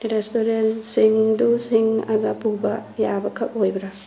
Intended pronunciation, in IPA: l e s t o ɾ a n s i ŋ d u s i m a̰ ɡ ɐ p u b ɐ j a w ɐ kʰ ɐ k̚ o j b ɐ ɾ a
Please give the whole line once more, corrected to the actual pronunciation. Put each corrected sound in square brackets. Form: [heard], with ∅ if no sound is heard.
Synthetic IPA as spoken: [ɾ] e s t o ɾ [e] n s i ŋ d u s i [ŋ] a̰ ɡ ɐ p u b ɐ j a [b] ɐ kʰ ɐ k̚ o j b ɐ ɾ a